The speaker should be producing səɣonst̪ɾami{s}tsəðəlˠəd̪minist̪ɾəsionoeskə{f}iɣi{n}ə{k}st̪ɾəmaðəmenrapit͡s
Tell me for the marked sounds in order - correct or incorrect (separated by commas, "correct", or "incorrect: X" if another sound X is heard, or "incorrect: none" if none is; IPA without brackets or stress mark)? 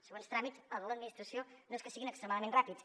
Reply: incorrect: none, incorrect: s, correct, correct